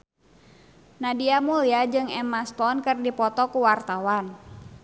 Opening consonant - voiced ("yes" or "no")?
yes